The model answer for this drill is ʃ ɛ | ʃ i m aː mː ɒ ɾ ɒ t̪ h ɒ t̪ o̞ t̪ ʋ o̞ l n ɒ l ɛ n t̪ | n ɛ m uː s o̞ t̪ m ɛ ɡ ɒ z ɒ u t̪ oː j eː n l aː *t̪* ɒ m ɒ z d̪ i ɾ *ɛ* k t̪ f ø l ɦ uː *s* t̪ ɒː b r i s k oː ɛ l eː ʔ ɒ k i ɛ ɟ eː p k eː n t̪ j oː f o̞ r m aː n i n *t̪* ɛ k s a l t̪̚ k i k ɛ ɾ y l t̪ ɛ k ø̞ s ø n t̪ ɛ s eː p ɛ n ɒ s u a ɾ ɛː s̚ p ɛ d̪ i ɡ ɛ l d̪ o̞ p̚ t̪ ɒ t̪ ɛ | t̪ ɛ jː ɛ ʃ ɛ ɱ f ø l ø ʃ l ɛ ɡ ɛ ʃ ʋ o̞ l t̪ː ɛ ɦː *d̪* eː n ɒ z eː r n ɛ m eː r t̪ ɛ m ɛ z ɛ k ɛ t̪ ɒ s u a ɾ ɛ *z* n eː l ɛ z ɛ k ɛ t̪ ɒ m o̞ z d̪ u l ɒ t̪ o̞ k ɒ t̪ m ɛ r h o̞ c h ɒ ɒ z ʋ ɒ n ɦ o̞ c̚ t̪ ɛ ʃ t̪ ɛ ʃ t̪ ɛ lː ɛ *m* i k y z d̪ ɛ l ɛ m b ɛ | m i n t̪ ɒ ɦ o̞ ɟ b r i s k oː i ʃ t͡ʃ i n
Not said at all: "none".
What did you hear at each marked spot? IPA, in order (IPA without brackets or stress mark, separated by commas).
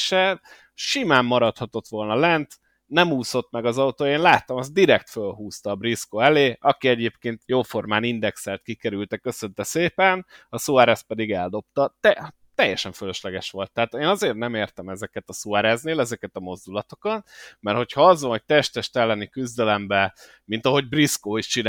t̪, ɛ, s, d̪, t̪, z, n